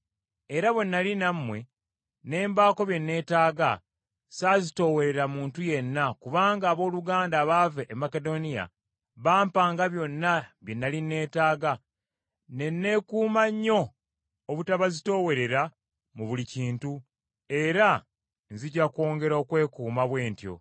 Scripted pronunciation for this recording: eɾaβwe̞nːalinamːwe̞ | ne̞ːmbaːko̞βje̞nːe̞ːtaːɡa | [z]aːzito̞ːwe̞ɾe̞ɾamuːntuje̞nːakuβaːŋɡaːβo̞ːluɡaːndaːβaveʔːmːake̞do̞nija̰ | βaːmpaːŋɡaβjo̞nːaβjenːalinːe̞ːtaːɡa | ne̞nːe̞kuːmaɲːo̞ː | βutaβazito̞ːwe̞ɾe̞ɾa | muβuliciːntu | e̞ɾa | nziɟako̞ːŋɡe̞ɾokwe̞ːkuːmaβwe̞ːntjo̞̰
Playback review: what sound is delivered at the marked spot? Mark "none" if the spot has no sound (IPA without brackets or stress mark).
s